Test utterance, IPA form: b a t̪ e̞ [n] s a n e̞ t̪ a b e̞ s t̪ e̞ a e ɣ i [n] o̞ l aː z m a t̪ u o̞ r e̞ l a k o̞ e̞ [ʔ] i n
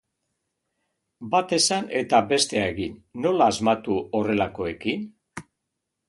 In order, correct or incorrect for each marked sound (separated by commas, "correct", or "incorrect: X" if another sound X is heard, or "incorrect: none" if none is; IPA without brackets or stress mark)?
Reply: incorrect: none, incorrect: nː, incorrect: k